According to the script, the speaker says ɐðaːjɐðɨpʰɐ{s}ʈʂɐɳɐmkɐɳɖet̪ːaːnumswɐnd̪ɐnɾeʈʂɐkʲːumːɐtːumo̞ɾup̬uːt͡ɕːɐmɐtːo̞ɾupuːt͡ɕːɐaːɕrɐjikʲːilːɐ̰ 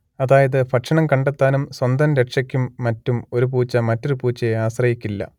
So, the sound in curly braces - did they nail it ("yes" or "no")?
no